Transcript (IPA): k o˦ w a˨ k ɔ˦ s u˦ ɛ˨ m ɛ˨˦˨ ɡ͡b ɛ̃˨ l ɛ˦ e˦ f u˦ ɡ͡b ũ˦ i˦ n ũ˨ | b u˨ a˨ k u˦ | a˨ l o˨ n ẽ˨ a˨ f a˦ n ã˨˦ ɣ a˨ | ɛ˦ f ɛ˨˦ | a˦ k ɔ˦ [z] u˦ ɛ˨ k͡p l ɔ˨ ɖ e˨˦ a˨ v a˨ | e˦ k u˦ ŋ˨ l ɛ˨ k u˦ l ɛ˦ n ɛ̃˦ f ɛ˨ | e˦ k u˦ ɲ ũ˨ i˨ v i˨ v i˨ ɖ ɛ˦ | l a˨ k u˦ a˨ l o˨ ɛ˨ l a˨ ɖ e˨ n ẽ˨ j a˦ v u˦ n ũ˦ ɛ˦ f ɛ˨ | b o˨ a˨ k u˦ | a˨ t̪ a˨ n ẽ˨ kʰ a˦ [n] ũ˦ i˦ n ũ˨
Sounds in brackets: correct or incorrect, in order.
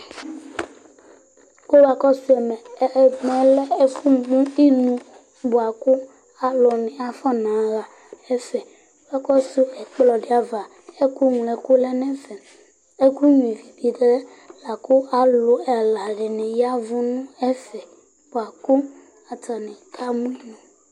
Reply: incorrect, incorrect

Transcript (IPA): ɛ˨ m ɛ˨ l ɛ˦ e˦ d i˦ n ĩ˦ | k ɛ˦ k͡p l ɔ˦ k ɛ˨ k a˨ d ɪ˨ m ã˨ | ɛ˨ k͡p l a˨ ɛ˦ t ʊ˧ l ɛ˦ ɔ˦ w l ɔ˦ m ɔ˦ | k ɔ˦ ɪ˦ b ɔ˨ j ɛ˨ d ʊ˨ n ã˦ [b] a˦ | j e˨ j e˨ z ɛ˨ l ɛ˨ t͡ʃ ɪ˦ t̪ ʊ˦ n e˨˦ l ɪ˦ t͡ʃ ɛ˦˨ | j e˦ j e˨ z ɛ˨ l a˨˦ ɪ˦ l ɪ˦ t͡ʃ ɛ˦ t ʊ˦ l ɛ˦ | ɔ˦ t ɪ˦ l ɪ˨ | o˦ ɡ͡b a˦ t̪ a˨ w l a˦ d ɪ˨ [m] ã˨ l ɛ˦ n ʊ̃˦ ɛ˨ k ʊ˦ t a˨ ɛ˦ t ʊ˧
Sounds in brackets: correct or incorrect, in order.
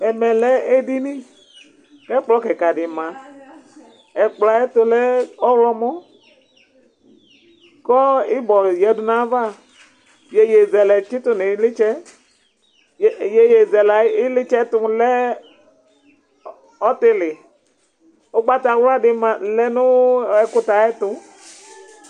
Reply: incorrect, correct

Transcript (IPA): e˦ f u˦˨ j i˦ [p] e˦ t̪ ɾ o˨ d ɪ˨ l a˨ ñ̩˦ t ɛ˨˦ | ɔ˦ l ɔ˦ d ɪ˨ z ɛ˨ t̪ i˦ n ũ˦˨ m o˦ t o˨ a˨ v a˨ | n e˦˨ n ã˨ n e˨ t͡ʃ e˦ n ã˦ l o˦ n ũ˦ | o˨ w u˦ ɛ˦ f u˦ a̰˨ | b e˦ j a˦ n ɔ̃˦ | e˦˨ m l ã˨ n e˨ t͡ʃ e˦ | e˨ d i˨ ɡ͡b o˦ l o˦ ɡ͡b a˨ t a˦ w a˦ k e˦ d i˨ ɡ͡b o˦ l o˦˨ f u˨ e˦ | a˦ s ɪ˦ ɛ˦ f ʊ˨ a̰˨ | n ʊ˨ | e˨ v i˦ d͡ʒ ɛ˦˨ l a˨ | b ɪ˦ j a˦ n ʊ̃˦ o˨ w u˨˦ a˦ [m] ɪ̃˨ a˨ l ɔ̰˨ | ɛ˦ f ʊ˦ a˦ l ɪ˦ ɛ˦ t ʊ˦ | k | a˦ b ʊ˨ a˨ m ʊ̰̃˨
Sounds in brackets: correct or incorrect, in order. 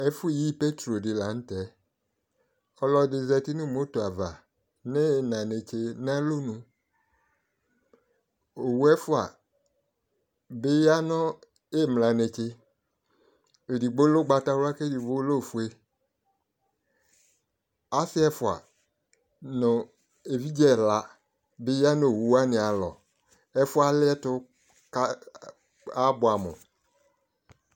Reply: correct, incorrect

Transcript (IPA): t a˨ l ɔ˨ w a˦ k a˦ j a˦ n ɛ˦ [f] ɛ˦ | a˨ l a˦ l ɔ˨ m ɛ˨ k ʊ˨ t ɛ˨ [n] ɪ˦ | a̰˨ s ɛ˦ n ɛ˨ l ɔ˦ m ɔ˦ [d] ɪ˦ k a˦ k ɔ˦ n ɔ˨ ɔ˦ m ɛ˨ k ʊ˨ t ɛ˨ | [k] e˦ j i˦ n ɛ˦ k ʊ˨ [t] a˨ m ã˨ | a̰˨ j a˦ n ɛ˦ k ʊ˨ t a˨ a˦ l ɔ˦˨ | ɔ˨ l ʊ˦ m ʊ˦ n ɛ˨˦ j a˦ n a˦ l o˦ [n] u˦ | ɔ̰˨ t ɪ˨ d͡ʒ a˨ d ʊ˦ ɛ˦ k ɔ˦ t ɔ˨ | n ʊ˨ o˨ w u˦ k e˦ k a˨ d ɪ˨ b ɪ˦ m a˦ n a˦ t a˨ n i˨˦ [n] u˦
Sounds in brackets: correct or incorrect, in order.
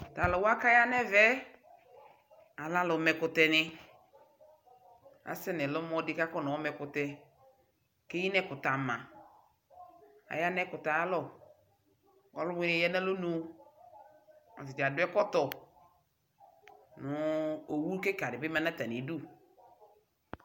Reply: incorrect, correct, correct, correct, correct, correct, incorrect

